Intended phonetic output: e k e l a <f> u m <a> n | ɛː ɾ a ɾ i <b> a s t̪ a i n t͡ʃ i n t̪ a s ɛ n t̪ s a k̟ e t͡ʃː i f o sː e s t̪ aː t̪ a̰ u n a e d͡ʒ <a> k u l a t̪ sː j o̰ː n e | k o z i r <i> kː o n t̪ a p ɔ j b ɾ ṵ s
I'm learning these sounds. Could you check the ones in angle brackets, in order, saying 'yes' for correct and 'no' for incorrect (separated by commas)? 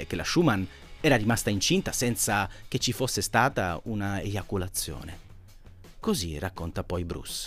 no, yes, no, yes, no